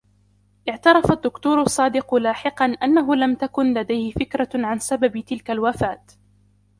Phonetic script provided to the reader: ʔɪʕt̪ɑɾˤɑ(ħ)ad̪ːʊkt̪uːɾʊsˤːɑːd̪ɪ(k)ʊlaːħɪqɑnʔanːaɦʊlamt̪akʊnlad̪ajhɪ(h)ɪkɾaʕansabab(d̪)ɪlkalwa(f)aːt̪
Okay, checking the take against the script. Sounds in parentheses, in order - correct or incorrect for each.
incorrect, incorrect, incorrect, incorrect, correct

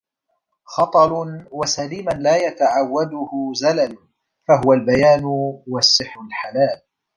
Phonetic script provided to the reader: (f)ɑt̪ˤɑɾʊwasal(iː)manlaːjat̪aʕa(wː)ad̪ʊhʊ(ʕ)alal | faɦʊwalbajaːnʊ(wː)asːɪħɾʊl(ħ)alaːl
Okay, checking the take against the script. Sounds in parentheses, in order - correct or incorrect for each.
incorrect, correct, correct, incorrect, incorrect, correct

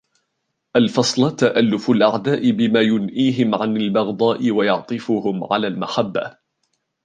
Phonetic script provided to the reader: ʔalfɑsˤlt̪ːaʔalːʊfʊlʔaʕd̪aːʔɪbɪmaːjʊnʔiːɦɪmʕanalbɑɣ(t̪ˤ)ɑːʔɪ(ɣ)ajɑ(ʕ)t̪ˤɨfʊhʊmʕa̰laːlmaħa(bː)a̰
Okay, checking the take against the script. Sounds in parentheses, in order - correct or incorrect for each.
incorrect, incorrect, correct, correct

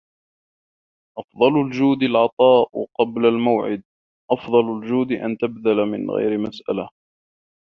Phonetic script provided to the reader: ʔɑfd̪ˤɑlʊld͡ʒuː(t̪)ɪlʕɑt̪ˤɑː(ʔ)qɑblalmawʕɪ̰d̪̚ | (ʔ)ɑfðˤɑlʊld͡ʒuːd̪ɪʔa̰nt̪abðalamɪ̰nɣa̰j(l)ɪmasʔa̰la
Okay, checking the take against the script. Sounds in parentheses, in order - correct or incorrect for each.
incorrect, correct, correct, incorrect

